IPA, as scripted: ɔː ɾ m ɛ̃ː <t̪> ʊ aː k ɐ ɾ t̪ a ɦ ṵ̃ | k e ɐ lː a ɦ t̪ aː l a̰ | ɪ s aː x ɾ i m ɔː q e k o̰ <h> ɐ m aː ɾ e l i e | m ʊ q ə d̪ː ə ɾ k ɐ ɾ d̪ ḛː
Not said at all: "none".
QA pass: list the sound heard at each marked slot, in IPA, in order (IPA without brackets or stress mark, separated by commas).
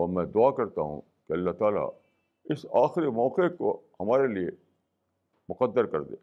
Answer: d̪, h